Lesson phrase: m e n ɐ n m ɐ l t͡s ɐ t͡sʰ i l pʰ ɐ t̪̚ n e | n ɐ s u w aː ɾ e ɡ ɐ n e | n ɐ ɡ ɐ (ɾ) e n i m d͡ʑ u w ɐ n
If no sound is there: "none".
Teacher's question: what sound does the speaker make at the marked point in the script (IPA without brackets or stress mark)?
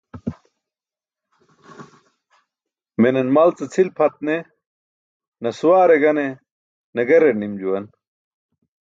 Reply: ɾ